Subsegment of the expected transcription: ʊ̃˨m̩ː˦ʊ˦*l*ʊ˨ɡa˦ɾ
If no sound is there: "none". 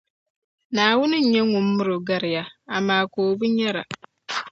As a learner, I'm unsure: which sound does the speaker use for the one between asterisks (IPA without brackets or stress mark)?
ɾ